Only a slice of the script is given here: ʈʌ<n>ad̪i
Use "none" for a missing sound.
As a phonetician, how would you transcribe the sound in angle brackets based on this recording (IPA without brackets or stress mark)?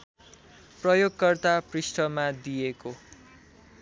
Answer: m